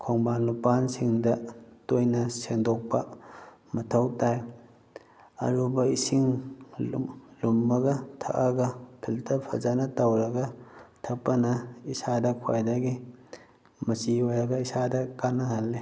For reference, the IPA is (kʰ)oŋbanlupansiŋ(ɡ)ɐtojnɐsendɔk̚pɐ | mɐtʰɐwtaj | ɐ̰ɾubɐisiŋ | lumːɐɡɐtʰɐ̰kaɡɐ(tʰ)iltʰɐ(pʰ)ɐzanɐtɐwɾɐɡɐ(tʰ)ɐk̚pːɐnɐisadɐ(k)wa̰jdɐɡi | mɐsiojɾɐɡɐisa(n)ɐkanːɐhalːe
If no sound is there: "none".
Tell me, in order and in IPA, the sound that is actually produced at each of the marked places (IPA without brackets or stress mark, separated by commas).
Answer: kʰ, d, pʰ, pʰ, tʰ, kʰ, d